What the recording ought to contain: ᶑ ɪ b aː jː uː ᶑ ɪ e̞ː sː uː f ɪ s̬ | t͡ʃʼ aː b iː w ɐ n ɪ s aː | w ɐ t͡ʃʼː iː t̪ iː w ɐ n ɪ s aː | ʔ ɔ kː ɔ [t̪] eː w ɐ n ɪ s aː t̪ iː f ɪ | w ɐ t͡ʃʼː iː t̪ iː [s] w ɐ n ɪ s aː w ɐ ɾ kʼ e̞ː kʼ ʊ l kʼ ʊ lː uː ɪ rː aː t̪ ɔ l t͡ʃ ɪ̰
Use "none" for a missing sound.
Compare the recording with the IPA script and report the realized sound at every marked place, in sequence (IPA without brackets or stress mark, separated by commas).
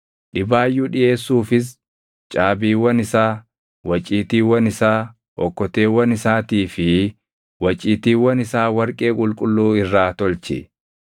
t̪, none